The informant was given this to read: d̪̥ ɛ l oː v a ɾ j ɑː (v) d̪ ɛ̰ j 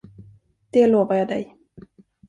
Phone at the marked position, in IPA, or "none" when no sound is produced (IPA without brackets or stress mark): none